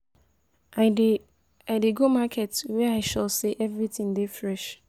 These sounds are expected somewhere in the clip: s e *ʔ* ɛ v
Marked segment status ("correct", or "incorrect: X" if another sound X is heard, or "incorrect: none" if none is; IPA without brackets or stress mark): correct